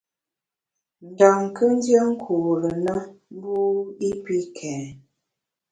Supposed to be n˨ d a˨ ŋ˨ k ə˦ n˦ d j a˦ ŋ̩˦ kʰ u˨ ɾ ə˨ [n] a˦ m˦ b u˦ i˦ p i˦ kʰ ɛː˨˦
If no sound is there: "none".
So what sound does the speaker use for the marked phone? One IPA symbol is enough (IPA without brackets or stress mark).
n